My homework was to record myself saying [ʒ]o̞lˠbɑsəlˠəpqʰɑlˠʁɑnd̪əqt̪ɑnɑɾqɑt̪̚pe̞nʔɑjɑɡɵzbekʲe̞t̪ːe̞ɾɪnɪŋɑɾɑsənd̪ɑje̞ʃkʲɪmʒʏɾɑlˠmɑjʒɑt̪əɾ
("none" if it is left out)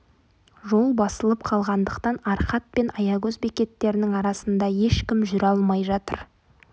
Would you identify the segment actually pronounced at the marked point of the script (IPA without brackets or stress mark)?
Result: ʒ